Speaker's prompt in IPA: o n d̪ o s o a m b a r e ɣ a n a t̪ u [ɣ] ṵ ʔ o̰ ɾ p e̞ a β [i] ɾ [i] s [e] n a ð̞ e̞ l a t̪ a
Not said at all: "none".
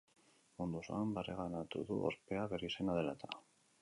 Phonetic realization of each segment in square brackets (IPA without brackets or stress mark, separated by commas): ð, e, i, e